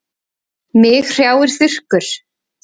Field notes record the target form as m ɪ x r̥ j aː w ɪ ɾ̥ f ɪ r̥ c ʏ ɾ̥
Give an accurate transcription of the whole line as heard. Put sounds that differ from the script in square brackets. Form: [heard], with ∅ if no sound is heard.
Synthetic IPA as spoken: m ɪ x r̥ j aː w ɪ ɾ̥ [θ] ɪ r̥ [k] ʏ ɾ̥